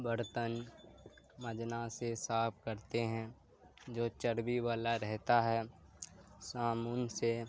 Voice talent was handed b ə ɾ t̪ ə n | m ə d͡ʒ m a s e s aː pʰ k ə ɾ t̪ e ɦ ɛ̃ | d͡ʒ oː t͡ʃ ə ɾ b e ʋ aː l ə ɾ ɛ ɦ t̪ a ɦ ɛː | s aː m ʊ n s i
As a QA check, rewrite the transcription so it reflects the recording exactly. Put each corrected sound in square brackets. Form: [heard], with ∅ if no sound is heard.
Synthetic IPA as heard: b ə ɾ t̪ ə n | m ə d͡ʒ [n] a s e s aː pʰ k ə ɾ t̪ e ɦ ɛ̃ | d͡ʒ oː t͡ʃ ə ɾ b [i] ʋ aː l [a] ɾ ɛ ɦ t̪ a ɦ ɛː | s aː m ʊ n s [e]